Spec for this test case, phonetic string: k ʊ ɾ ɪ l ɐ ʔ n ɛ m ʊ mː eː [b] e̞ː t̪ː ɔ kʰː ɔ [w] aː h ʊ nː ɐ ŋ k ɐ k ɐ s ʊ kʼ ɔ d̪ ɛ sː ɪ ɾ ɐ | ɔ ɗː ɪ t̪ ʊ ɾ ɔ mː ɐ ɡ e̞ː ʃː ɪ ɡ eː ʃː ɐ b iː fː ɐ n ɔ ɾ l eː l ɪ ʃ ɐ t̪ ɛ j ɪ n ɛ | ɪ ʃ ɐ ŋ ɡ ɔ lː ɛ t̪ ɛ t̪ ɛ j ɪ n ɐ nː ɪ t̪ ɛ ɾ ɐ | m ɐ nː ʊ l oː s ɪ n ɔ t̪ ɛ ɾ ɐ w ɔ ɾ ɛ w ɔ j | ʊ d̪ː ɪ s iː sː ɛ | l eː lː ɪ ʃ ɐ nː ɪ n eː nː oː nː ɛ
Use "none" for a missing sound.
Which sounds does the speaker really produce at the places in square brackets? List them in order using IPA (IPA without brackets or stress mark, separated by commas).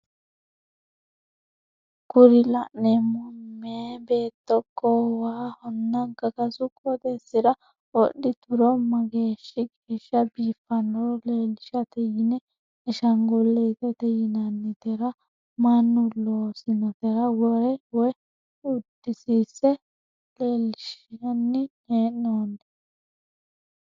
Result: b, w